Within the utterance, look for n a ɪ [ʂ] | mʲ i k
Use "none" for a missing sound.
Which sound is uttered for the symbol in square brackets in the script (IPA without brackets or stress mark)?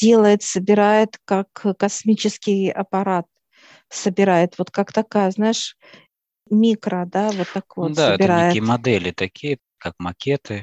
ʂ